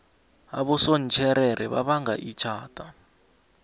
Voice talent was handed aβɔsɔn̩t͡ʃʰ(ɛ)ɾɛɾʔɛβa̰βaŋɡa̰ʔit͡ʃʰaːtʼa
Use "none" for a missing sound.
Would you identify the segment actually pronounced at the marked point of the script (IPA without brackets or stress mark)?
ɛ